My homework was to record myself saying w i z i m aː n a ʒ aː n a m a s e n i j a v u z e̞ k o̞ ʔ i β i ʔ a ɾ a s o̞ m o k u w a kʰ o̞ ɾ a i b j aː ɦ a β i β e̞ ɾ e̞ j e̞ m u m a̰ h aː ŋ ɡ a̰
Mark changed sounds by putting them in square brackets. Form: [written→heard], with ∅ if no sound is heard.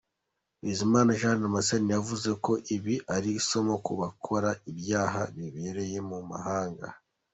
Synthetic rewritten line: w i z i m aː n a ʒ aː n a m a s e n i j a v u z e̞ k o̞ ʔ i β i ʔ a ɾ [a→i] s o̞ m o k u [w→β] a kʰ o̞ ɾ a i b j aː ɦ a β i β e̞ ɾ e̞ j e̞ m u m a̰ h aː ŋ ɡ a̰